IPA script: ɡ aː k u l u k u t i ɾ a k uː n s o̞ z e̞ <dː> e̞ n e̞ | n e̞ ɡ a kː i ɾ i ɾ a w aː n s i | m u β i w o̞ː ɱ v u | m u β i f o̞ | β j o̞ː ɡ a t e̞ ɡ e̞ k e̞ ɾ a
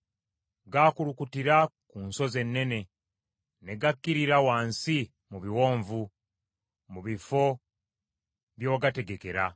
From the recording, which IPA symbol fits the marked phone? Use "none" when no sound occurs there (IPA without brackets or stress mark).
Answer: nː